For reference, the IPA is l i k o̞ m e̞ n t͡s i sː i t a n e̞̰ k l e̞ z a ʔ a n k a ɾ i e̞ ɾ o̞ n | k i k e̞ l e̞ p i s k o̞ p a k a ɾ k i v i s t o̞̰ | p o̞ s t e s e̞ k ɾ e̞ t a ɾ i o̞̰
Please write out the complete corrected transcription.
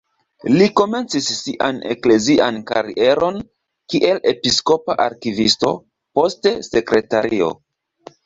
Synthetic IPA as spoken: l i k o̞ m e̞ n t͡s i sː i ʔ a n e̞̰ k l e̞ z i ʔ a n k a ɾ i e̞ ɾ o̞ n | k i ʔ e̞ l e̞ p i s k o̞ p a ʔ a ɾ k i v i s t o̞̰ | p o̞ s t e s e̞ k ɾ e̞ t a ɾ i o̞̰